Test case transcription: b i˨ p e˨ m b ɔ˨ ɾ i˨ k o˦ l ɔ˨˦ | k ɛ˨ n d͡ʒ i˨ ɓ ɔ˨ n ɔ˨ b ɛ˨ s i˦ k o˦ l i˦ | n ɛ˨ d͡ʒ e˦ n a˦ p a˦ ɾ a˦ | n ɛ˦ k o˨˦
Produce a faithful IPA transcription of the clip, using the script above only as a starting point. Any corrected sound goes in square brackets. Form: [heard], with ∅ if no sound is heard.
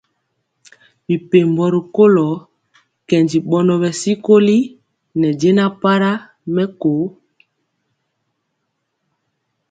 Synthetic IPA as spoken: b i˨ p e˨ m b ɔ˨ ɾ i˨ k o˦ l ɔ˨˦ | k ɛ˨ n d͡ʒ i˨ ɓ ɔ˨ n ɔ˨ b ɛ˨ s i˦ k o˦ l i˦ | n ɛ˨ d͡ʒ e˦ n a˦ p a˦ ɾ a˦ | [m] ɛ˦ k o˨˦